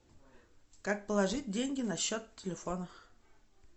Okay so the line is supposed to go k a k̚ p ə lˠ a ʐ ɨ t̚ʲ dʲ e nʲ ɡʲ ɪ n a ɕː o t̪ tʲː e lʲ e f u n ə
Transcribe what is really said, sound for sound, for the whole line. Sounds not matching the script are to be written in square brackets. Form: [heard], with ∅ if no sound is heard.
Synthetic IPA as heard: k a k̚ p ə lˠ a ʐ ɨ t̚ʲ dʲ e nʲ ɡʲ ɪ n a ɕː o t̪ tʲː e lʲ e f [o] n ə